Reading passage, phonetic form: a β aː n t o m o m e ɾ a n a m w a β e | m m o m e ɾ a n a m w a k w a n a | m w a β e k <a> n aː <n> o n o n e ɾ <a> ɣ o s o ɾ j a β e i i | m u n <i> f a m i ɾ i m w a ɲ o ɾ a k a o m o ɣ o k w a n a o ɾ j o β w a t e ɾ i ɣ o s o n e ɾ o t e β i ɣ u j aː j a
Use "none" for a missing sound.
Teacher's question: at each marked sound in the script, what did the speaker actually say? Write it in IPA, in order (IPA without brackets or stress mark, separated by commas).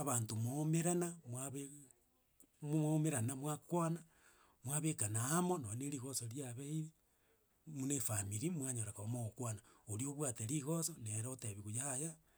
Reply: a, m, i, e